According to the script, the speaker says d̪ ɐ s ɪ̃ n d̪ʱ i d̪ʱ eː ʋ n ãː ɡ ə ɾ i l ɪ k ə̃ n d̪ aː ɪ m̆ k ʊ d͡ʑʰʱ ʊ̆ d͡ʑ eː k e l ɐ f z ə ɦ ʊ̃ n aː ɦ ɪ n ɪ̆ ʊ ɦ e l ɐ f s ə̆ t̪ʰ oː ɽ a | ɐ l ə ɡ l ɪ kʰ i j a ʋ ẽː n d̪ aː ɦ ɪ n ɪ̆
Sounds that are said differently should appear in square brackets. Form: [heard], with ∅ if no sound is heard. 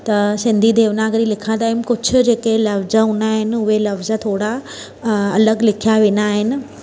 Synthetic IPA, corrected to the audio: [t̪] ɐ s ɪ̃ n d̪ʱ i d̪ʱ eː ʋ n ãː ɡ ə ɾ i l ɪ [kʰ] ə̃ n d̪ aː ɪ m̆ k ʊ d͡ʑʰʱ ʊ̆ d͡ʑ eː k e l ɐ f z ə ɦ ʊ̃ n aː ɦ ɪ n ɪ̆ ʊ ɦ e l ɐ f [z] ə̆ t̪ʰ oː ɽ a | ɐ l ə ɡ l ɪ kʰ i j a ʋ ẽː n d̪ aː ɦ ɪ n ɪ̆